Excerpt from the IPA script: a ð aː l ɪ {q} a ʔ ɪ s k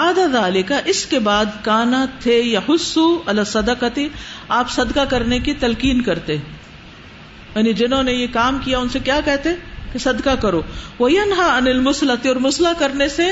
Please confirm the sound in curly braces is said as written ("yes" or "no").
no